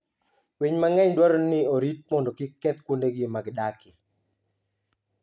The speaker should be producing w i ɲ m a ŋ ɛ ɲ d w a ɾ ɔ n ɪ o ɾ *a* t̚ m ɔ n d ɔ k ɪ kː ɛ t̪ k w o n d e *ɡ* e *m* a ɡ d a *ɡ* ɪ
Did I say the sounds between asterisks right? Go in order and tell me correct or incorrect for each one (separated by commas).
incorrect, correct, correct, incorrect